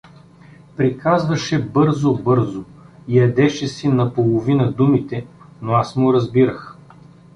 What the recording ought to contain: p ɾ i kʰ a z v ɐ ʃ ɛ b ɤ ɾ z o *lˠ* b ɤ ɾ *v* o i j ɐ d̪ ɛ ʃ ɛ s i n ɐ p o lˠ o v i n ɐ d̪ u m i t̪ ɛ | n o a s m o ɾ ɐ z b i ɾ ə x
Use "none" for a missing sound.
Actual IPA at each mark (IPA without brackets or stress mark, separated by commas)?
none, z